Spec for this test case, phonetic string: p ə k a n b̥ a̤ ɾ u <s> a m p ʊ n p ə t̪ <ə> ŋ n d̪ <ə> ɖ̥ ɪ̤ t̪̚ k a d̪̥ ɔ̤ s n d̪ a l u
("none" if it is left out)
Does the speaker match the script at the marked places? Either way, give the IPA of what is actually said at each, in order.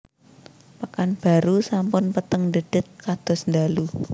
s, ə, ə

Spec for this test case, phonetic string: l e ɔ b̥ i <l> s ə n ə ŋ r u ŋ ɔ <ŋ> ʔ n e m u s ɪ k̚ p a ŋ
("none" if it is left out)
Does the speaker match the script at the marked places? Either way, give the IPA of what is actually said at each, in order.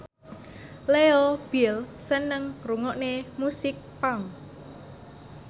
l, none

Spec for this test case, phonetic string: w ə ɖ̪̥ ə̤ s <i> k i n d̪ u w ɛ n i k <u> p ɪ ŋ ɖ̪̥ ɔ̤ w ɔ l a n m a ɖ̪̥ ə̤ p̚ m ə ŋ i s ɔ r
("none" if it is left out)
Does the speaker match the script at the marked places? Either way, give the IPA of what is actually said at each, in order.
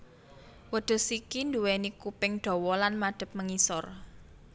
i, u

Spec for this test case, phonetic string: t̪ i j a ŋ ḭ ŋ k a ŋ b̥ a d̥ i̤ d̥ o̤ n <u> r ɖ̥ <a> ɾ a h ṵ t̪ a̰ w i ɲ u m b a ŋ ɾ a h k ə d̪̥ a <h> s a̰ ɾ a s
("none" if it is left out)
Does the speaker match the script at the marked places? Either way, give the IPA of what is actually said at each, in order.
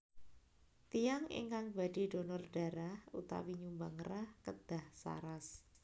ɔ, a, h

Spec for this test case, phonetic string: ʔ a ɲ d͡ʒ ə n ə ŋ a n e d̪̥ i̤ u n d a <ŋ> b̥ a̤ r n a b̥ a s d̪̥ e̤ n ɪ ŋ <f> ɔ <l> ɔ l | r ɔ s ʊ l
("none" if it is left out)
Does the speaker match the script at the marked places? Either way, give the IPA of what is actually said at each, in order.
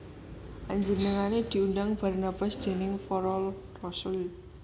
ŋ, f, ɾ

